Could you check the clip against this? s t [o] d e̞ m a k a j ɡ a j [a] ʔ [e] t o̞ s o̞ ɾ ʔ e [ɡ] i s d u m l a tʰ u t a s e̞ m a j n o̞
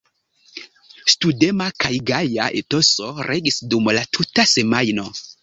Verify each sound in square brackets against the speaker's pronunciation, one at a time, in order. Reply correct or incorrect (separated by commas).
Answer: incorrect, correct, correct, correct